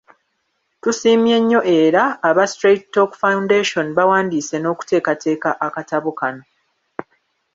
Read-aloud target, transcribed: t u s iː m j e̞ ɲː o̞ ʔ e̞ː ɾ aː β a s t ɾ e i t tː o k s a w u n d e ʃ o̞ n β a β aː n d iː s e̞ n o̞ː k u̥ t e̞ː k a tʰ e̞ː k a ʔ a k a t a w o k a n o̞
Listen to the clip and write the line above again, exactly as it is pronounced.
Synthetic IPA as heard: t u s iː m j e̞ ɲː o̞ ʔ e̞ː ɾ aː β a s t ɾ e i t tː o k f a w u n d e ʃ o̞ n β a w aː n d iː s e̞ n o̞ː k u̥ t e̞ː k a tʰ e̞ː k a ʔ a k a t a β o k a n o̞